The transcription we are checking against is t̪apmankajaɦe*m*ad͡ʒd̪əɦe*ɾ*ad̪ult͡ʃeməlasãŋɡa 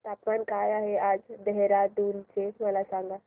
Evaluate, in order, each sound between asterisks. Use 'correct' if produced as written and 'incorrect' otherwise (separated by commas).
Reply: incorrect, correct